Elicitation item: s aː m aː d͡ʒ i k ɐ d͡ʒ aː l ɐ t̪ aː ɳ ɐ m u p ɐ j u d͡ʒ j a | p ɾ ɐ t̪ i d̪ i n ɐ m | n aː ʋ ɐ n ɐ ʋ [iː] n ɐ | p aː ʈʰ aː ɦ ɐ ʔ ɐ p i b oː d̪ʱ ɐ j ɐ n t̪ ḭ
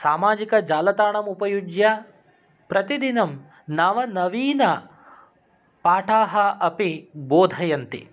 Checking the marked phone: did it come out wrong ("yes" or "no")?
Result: no